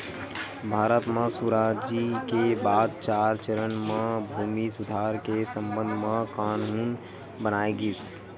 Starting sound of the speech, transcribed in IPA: bʱ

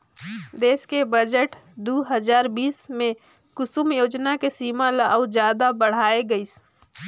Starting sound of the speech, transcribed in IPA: d̪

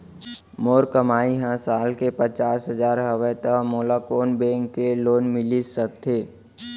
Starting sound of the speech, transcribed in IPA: m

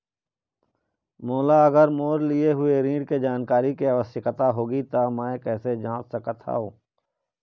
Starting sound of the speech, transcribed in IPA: m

